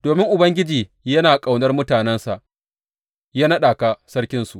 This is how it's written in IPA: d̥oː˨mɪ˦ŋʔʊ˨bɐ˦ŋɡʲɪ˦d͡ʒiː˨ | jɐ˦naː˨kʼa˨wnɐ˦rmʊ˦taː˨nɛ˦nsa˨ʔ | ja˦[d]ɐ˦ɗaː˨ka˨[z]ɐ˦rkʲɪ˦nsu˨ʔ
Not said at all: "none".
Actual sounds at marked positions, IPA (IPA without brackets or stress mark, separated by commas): n, s